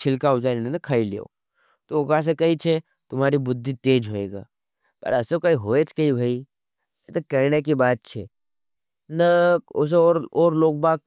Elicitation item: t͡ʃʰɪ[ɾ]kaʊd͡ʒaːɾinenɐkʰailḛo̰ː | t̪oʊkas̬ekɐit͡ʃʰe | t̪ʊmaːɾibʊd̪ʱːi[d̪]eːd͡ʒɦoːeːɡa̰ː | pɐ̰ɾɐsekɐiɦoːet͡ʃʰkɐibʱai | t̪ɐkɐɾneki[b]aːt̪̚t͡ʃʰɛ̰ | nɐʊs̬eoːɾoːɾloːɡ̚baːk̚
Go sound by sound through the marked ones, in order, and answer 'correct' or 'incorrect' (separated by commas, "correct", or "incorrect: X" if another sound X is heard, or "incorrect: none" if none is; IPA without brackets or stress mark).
incorrect: l, incorrect: t̪, correct